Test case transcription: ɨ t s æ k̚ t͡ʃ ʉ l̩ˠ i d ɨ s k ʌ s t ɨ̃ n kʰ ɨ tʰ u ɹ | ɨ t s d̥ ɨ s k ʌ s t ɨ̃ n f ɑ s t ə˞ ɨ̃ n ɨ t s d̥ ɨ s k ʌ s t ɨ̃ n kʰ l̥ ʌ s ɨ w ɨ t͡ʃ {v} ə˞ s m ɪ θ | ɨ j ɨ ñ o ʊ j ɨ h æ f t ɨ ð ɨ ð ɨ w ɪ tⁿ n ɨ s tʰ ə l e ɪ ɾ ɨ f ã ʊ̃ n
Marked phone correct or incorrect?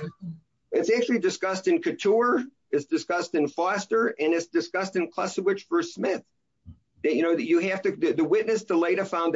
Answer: incorrect